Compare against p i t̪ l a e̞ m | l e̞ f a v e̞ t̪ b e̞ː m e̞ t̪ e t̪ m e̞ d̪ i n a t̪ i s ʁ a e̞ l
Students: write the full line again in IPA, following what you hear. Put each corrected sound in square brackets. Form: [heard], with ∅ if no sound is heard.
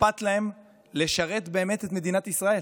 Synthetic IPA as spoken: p [a] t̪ l a e̞ m | l e̞ [ʃ] a [ʁ] e̞ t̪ b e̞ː m e̞ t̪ e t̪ m e̞ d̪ i n a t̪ i s ʁ a e̞ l